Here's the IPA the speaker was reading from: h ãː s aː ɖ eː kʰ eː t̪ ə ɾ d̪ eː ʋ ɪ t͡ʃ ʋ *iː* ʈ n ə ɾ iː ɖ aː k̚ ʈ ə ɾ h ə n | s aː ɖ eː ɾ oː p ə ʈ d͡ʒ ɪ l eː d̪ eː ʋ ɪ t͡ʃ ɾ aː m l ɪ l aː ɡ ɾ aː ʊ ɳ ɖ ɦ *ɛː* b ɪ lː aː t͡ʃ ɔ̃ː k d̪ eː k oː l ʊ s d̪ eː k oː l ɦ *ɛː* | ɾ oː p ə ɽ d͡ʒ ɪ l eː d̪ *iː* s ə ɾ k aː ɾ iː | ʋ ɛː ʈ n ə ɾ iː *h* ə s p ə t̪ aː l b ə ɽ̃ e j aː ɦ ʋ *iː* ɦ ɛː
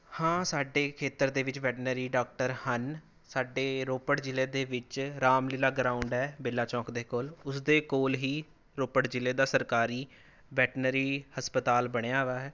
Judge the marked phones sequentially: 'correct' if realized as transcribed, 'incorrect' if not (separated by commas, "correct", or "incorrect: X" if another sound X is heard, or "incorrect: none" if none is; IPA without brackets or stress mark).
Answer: incorrect: ɛː, correct, incorrect: iː, incorrect: aː, correct, incorrect: aː